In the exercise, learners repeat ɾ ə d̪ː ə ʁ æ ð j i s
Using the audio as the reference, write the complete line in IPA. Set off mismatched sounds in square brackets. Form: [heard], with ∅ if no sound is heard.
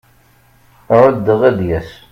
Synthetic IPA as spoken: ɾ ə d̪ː ə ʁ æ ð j [æ] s